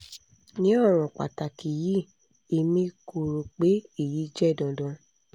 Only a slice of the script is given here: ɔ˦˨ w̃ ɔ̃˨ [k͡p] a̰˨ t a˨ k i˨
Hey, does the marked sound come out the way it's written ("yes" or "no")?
yes